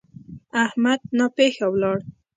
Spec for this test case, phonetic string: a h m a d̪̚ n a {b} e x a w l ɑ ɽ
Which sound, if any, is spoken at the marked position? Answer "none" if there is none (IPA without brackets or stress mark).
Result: p